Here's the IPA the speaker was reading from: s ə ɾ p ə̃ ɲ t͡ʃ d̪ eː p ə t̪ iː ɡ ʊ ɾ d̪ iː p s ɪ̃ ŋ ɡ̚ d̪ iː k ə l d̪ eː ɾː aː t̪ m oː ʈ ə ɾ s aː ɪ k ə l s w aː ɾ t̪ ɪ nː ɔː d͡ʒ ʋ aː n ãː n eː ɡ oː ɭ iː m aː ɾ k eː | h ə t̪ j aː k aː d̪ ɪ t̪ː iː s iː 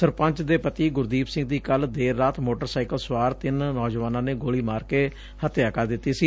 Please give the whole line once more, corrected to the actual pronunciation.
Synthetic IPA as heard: s ə ɾ p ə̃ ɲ t͡ʃ d̪ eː p ə t̪ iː ɡ ʊ ɾ d̪ iː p s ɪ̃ ŋ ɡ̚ d̪ iː k ə l d̪ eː ɾː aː t̪ m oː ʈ ə ɾ s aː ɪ k ə l s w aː ɾ t̪ ɪ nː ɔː d͡ʒ ʋ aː n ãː n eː ɡ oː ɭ iː m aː ɾ k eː | h ə t̪ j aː k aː d̪ ɪ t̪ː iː s iː